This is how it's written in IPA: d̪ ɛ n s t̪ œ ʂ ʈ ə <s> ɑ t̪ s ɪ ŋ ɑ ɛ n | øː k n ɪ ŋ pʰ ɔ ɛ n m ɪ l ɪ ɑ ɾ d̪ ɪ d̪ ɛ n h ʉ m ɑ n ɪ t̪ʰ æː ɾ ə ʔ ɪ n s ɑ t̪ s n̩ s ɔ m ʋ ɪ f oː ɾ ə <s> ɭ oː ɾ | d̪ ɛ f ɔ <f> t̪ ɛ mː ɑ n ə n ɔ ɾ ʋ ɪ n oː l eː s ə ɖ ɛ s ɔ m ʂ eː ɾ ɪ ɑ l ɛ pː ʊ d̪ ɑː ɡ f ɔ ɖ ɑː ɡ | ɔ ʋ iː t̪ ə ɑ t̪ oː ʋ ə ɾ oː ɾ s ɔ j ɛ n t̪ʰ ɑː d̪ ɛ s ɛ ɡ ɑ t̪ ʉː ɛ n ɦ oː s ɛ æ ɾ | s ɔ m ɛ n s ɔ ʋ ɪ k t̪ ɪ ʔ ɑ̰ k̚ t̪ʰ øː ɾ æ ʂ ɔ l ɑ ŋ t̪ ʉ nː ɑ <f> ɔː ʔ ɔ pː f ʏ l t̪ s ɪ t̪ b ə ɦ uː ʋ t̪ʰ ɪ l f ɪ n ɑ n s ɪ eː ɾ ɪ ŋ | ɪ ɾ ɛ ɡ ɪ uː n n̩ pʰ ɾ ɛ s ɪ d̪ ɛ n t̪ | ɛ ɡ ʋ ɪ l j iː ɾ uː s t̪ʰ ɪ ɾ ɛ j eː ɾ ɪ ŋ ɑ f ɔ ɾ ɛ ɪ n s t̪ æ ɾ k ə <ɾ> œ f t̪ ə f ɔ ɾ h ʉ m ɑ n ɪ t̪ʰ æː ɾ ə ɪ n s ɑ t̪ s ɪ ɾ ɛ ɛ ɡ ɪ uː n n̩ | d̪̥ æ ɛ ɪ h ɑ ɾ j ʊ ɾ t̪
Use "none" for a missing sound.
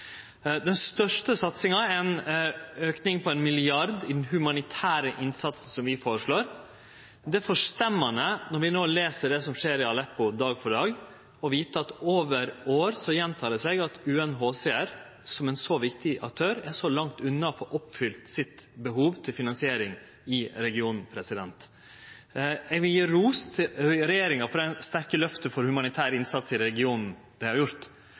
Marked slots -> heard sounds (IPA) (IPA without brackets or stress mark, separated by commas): s, ʂ, ʂ, f, l